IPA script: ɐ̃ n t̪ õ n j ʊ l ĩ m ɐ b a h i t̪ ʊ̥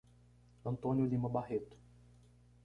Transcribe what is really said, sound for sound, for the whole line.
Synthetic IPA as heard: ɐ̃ n t̪ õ n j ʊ l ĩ m ɐ b a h e t̪ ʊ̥